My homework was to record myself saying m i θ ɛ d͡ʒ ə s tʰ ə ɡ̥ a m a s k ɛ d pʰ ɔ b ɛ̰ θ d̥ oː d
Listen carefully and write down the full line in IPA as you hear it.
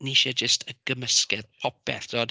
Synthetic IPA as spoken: n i ʃ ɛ d͡ʒ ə s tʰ ə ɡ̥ ə m ə s k ɛ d pʰ ɔ p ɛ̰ θ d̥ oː d